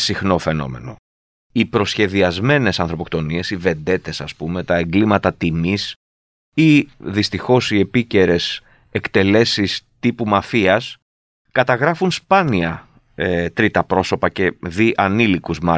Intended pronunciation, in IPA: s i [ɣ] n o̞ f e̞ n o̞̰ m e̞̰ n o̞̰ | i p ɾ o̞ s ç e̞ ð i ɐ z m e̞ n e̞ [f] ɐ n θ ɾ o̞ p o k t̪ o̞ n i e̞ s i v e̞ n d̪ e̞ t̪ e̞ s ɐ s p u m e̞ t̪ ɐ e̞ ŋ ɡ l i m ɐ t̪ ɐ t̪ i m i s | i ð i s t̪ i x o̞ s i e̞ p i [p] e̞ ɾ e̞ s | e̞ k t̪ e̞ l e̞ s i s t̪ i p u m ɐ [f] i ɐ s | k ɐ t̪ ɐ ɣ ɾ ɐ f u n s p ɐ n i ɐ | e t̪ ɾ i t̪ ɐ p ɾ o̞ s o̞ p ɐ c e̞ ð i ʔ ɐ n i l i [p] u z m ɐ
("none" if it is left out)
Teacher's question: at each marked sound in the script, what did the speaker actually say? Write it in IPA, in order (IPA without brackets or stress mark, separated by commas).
x, s, c, f, k